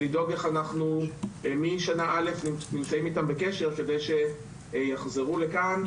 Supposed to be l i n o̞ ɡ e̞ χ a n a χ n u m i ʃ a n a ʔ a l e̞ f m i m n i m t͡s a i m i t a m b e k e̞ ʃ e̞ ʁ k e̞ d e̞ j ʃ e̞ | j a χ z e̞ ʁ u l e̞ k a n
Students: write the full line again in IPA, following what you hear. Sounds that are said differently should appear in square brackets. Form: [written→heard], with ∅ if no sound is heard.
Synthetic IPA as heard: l i [n→d] o̞ ɡ e̞ χ a n a χ n u m i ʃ a n a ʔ a l e̞ f [m→n] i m n i m t͡s a i m i t a m b e k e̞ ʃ e̞ ʁ k e̞ d e̞ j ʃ e̞ | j a χ z e̞ ʁ u l e̞ k a n